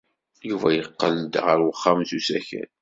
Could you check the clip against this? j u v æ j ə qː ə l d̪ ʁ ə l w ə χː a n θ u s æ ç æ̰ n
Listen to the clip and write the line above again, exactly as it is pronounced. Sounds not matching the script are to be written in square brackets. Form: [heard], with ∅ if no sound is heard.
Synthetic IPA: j u v æ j ə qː ə l d̪ ʁ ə [ɾ] w ə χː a [m] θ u s æ ç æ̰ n